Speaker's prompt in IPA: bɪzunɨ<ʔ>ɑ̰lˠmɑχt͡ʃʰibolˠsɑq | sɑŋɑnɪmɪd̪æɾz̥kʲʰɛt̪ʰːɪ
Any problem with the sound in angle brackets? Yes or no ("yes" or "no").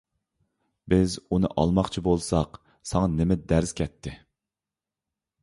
no